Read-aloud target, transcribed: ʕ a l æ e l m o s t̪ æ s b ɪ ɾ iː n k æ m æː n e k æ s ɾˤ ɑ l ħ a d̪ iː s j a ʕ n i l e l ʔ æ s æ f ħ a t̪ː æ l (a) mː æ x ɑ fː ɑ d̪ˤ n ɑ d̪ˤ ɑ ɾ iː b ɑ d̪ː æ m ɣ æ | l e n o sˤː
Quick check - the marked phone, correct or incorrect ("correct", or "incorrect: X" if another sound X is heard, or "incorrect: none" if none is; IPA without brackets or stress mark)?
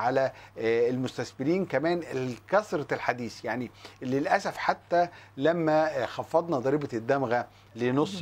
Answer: incorrect: æ